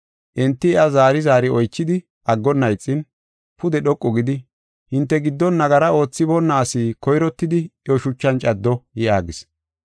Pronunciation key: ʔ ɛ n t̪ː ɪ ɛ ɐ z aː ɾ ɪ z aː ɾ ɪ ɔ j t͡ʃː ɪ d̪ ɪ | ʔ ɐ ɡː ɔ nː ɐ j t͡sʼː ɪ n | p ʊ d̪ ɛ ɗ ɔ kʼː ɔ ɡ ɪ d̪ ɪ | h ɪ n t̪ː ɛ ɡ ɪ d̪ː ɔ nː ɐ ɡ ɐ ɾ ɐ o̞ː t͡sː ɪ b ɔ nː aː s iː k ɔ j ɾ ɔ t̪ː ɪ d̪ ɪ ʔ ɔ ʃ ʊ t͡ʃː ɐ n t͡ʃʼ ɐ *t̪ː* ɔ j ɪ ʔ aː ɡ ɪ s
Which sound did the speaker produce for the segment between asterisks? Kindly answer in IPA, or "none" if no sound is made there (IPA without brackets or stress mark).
d̪ː